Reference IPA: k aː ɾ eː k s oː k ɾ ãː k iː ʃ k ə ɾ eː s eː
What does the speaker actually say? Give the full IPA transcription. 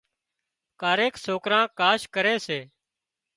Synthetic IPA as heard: k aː ɾ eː k s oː k ɾ ãː k aː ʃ k ə ɾ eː s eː